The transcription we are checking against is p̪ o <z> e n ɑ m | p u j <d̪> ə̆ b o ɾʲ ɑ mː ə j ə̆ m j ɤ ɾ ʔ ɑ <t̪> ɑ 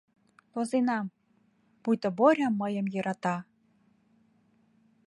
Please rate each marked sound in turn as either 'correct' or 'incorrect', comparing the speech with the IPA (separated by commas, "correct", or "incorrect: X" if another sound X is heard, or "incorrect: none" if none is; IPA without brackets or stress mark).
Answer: correct, incorrect: t̪, correct